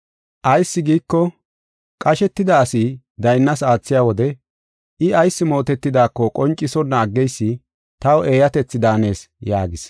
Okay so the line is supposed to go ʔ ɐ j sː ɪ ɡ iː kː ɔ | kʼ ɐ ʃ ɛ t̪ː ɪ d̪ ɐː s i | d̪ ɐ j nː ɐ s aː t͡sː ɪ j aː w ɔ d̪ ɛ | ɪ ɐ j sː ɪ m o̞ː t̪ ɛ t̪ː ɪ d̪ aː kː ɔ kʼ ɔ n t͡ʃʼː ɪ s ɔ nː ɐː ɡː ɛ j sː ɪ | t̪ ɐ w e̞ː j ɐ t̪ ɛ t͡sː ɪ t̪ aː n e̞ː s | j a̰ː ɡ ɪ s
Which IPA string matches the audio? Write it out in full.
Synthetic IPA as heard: ʔ ɐ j sː ɪ ɡ iː kː ɔ | kʼ ɐ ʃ ɛ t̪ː ɪ d̪ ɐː s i | d̪ ɐ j nː ɐ s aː t͡sː ɪ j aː w ɔ d̪ ɛ | ɪ ɐ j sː ɪ m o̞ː t̪ ɛ t̪ː ɪ d̪ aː kː ɔ kʼ ɔ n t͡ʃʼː ɪ s ɔ nː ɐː ɡː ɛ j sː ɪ | t̪ ɐ w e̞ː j ɐ t̪ ɛ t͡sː ɪ d̪ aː n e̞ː s | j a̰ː ɡ ɪ s